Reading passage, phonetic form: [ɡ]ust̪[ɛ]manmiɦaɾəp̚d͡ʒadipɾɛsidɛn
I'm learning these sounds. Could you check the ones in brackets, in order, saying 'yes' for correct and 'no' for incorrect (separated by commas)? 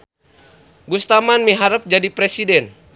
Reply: yes, no